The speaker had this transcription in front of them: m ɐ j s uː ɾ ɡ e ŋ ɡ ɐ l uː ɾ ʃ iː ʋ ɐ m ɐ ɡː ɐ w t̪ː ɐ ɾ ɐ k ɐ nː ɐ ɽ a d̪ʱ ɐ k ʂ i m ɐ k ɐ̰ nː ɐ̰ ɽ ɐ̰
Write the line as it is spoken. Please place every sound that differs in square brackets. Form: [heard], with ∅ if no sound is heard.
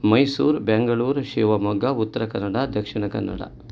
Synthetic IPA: m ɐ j s uː ɾ [b] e ŋ ɡ ɐ [ɭ] uː ɾ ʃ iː ʋ ɐ m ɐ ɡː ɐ [u] t̪ː ɐ ɾ ɐ k ɐ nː ɐ ɽ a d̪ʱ ɐ k ʂ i [ɳ] ɐ k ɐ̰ nː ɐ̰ ɽ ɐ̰